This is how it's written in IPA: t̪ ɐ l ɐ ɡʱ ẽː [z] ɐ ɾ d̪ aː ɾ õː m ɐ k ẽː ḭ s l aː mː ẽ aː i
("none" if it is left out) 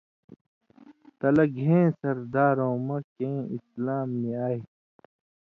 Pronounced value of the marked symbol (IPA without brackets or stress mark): s